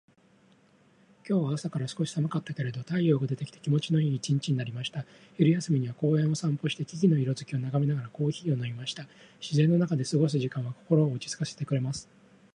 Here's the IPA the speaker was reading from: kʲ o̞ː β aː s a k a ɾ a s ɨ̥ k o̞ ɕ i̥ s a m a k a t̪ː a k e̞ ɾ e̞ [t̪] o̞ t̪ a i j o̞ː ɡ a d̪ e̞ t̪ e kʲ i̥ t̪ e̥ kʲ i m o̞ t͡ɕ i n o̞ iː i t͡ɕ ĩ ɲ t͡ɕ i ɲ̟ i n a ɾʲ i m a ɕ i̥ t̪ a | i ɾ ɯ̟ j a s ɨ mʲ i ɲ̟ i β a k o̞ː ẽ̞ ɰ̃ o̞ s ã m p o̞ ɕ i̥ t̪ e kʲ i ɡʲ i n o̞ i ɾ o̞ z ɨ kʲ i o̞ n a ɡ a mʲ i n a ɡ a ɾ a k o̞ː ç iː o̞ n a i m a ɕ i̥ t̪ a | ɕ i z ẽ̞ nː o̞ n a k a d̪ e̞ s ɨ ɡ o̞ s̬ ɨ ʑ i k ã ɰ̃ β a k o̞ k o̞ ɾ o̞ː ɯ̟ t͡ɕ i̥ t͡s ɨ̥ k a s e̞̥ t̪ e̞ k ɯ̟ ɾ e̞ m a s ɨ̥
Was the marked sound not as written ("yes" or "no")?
yes